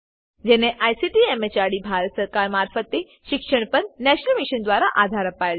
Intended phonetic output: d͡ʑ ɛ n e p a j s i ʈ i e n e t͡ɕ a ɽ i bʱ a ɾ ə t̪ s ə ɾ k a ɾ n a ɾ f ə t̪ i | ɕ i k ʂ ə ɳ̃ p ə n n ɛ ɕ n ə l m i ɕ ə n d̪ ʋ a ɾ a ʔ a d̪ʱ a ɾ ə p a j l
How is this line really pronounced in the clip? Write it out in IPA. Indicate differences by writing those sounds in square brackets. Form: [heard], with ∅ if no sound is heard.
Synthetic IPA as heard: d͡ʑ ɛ n e [ʔ] a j s i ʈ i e [m] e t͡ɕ a ɽ i bʱ a ɾ ə t̪ s ə ɾ k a ɾ [m] a ɾ f ə t̪ i | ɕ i k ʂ ə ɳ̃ p ə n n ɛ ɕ n ə l m i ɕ ə n d̪ ʋ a ɾ a ʔ a d̪ʱ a ɾ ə p a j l